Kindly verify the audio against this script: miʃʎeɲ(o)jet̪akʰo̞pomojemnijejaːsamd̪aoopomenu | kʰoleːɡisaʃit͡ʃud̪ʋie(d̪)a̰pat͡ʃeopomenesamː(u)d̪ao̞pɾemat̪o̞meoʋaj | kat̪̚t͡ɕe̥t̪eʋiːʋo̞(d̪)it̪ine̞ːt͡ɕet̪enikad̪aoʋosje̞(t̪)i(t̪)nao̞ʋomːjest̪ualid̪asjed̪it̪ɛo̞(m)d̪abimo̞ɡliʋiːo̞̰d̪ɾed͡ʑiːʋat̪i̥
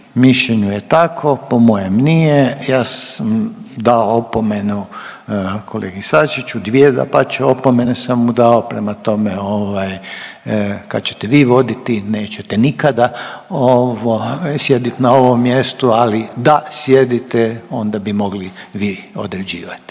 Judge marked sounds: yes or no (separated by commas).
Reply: no, yes, yes, yes, no, yes, no